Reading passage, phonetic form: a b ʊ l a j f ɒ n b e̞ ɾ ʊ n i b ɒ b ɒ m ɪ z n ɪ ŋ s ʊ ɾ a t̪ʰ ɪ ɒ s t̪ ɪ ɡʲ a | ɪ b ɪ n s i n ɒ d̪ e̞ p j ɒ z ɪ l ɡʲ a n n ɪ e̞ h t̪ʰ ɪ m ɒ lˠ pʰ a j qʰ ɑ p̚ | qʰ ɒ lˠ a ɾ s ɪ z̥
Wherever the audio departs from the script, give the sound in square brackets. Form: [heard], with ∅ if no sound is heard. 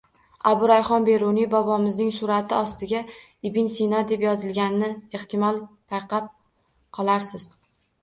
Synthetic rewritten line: a b ʊ [ɾ] a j [χ] ɒ n b e̞ ɾ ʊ n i b ɒ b ɒ m ɪ z n ɪ ŋ s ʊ ɾ a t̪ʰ ɪ ɒ s t̪ ɪ ɡʲ a | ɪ b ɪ n s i n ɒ d̪ e̞ p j ɒ z ɪ l ɡʲ a n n ɪ e̞ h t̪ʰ ɪ m ɒ lˠ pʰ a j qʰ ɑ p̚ | qʰ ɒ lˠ a ɾ s ɪ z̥